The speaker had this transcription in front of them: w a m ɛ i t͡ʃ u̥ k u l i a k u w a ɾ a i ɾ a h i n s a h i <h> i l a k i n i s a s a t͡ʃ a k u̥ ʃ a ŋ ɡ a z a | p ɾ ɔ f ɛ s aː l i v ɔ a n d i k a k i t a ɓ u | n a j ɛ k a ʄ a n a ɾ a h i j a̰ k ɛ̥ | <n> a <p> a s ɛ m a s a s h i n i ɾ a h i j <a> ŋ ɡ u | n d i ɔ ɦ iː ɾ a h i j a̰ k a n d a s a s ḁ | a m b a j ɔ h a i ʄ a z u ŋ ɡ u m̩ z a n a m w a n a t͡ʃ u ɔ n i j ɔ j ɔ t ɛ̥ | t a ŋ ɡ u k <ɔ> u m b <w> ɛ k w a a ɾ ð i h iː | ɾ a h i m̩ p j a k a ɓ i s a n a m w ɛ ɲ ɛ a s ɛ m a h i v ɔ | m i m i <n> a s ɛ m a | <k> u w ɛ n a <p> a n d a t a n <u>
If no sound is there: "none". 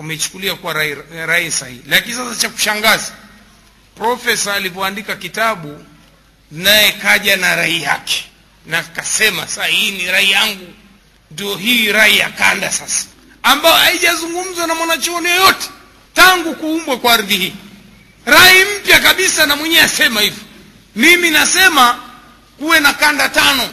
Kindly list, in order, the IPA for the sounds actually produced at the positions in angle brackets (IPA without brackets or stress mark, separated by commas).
h, n, k, a, u, w, n, k, k, ɔ